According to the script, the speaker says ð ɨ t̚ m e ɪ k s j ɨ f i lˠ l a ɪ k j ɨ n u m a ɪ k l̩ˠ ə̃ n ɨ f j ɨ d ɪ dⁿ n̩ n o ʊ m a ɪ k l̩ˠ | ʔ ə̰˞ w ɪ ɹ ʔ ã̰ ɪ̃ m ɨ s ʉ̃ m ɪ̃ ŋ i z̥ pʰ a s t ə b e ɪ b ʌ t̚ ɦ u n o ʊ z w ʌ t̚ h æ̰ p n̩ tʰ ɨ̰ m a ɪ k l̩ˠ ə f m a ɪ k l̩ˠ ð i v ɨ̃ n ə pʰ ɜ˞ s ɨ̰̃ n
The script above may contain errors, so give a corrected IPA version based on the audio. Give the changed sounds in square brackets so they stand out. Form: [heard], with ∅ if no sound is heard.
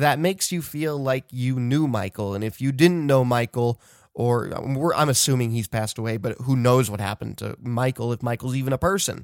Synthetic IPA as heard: ð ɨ t̚ m e ɪ k s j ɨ f i lˠ l a ɪ k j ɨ n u m a ɪ k l̩ˠ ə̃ n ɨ f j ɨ d ɪ dⁿ n̩ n o ʊ m a ɪ k l̩ˠ | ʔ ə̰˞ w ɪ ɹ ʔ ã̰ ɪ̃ m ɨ s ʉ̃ m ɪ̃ ŋ i z̥ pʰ [æ] s t ə [w] e ɪ b ʌ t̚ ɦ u n o ʊ z w ʌ t̚ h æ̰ p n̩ tʰ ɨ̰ m a ɪ k l̩ˠ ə f m a ɪ k l̩ˠ [z] i v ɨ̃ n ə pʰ ɜ˞ s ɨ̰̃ n